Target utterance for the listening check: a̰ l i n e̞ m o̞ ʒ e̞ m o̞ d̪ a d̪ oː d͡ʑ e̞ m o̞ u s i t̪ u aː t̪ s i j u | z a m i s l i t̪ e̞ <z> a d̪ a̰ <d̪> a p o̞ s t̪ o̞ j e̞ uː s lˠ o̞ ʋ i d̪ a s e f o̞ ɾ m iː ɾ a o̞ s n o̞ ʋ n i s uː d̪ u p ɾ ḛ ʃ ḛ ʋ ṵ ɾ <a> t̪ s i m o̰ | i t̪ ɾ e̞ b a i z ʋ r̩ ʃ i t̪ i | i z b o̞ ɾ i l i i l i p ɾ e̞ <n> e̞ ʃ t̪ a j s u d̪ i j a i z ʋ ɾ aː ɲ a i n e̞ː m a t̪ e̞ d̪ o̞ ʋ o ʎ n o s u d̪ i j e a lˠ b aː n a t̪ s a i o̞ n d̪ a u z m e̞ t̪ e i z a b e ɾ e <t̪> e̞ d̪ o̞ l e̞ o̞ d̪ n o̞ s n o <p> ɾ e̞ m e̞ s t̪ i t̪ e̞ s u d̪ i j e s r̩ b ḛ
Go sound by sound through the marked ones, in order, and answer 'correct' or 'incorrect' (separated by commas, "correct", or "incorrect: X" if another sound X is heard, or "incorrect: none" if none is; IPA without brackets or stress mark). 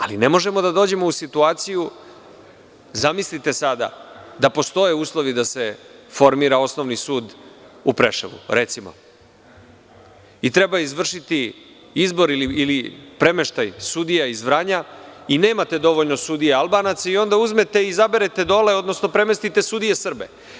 incorrect: s, correct, incorrect: e, incorrect: m, correct, correct